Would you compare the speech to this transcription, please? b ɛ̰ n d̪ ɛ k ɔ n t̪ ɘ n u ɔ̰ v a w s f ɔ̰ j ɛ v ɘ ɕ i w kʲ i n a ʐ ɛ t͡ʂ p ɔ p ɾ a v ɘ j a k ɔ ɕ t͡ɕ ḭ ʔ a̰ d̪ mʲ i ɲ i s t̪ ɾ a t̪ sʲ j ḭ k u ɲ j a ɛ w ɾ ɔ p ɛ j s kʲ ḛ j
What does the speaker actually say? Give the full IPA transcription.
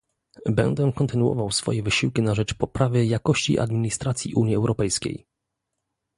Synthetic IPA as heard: b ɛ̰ n d̪ ɛ k ɔ n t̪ ɘ n u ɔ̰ v a w s f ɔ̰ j ɛ v ɘ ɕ i w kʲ i n a ʐ ɛ t͡ʂ p ɔ p ɾ a v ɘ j a k ɔ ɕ t͡ɕ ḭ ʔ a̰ d̪ mʲ i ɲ i s t̪ ɾ a t̪ sʲ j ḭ ʔ u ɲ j i ɛ w ɾ ɔ p ɛ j s kʲ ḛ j